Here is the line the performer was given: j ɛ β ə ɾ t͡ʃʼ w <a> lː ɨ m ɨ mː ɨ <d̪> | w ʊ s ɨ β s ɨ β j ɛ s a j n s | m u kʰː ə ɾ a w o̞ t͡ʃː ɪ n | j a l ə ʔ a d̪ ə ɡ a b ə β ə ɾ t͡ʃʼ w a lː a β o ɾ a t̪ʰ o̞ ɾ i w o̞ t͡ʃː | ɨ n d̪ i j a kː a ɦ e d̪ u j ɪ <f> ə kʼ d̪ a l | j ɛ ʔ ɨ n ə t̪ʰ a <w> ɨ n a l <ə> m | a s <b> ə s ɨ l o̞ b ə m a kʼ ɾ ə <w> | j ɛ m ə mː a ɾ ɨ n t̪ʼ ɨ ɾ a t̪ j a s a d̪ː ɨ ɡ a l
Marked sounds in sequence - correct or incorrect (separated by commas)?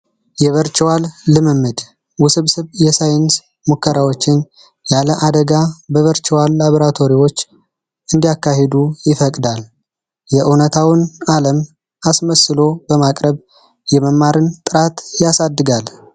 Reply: correct, correct, correct, correct, correct, incorrect, incorrect